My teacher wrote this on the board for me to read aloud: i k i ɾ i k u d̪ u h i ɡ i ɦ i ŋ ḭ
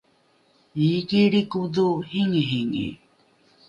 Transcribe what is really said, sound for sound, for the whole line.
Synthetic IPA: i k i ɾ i k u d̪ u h i ŋ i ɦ i ŋ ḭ